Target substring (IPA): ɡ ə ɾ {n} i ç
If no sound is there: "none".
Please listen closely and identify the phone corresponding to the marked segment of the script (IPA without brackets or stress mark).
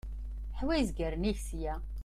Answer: n